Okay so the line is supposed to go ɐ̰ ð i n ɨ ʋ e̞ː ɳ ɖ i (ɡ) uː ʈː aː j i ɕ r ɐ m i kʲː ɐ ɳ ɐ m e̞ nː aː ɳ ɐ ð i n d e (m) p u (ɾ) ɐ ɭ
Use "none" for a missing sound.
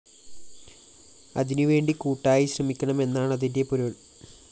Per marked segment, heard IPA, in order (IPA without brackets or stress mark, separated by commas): k, none, ɾ